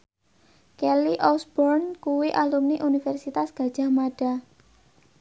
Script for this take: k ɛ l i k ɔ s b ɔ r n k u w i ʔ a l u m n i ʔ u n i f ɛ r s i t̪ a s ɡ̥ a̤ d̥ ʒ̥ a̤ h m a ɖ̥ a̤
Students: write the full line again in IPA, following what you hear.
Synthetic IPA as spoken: k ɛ l i ʔ ɔ s b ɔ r n k u w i ʔ a l u m n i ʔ u n i f ɛ r s i t̪ a s ɡ̥ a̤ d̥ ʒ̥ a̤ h m a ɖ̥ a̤